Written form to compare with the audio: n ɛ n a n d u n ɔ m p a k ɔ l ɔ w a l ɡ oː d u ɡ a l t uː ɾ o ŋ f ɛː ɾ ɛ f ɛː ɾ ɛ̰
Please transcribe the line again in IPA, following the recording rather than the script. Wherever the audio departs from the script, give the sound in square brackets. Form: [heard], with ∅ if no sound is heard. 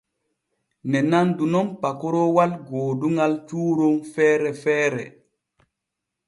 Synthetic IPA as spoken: n ɛ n a n d u n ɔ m p a k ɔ [ɾ] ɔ w a l ɡ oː d u [ŋ] a l [t͡ʃ] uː ɾ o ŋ f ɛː ɾ ɛ f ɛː ɾ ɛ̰